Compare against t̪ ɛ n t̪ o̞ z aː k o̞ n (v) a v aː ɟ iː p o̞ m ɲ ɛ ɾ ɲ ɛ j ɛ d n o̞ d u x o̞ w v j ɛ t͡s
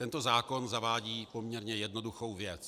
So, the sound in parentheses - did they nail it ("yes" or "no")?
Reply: no